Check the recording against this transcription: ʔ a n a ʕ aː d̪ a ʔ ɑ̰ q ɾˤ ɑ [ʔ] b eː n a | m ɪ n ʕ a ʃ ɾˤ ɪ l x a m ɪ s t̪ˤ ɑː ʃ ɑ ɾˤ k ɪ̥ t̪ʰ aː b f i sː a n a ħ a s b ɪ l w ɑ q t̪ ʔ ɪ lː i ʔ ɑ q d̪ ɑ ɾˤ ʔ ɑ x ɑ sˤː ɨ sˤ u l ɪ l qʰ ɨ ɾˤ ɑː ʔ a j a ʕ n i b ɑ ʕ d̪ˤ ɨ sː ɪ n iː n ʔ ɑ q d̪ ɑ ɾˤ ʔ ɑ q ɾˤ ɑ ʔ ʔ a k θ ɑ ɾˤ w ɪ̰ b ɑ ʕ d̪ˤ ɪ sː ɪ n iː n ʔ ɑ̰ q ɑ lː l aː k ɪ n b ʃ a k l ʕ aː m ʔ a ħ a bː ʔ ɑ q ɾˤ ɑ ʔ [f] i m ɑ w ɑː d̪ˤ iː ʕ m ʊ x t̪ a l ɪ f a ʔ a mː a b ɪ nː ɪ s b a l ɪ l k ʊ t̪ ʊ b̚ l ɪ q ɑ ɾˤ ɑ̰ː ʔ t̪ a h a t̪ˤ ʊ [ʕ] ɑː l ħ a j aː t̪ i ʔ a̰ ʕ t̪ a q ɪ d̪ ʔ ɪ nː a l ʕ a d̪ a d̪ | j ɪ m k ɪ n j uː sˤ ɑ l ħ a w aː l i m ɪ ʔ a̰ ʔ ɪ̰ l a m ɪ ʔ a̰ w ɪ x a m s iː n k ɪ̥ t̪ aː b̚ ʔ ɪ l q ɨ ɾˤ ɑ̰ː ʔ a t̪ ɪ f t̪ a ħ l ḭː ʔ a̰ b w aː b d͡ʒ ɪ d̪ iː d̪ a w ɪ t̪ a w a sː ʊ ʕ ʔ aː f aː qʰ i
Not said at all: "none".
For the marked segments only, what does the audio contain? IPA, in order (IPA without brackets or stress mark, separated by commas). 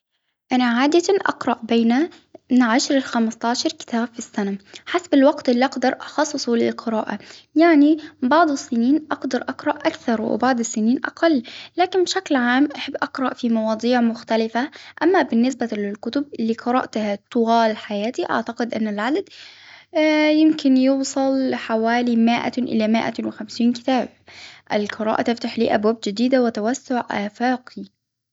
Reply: ʔ, f, ɣ